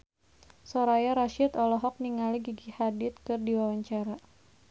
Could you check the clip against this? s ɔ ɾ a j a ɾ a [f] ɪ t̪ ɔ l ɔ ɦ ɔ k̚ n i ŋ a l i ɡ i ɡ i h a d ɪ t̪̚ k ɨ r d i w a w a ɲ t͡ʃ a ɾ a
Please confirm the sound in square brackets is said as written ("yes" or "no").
no